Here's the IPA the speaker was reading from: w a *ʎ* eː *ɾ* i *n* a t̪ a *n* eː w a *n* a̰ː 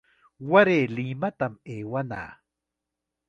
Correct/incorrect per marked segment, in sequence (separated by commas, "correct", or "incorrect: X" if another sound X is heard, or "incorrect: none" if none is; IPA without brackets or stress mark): incorrect: ɾ, incorrect: l, incorrect: m, incorrect: m, correct